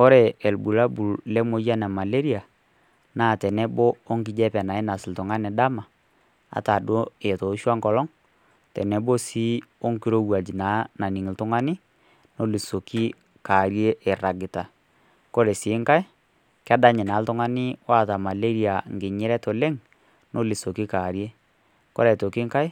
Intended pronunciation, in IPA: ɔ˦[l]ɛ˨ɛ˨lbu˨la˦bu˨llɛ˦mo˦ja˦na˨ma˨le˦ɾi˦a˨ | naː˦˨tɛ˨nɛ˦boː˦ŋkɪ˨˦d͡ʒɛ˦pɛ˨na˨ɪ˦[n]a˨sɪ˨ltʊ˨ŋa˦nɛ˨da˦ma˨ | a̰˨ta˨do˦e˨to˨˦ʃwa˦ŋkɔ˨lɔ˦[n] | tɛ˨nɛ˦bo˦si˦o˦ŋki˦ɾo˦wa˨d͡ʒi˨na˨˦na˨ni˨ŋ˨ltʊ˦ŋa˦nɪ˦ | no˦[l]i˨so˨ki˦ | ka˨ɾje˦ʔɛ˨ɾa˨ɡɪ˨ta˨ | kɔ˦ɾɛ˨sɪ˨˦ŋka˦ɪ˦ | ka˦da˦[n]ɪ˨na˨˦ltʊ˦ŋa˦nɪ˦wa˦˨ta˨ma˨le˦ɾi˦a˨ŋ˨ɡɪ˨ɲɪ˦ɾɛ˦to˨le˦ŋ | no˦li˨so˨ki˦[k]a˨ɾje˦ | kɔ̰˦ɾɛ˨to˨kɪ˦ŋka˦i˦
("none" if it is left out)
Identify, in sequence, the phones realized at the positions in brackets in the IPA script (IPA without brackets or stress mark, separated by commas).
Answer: ɾ, n, ŋ, l, ɲ, k